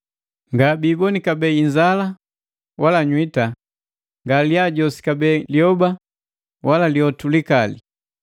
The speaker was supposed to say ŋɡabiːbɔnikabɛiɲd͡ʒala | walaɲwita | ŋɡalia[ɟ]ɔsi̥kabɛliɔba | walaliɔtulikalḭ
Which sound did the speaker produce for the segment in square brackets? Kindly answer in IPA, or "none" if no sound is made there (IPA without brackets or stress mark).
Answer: ɟ